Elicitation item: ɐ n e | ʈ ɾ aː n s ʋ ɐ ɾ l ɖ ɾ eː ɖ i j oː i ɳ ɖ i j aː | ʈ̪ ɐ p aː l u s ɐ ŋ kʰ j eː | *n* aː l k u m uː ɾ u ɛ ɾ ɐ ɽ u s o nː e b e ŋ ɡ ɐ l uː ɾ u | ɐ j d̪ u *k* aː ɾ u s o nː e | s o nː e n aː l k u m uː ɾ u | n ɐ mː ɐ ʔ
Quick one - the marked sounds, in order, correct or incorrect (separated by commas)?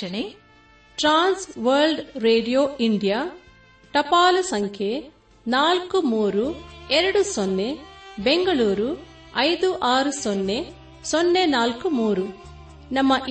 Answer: correct, incorrect